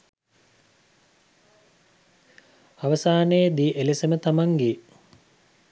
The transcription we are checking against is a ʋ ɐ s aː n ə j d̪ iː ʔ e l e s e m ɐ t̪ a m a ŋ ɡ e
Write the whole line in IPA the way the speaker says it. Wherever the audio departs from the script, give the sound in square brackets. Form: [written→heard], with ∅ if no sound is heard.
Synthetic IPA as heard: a ʋ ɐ s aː n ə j d̪ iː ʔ e l e s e m [ɐ→ə] t̪ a m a ŋ ɡ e